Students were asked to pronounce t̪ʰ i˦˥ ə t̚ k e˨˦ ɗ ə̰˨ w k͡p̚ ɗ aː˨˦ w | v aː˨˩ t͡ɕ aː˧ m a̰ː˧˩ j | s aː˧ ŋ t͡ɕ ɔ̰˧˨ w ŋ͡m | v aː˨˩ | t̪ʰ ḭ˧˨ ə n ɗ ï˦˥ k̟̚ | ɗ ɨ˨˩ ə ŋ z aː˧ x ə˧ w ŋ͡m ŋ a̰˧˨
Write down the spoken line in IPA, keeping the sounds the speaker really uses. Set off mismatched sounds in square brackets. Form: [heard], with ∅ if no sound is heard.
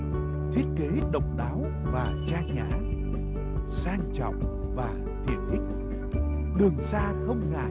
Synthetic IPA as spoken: t̪ʰ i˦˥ ə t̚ k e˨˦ ɗ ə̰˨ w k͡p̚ ɗ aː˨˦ w | v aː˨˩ t͡ɕ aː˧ [ɲ] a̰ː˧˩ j | s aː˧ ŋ t͡ɕ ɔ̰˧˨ w ŋ͡m | v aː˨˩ | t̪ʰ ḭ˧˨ ə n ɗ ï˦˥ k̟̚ | ɗ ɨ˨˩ ə ŋ [s] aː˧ x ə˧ w ŋ͡m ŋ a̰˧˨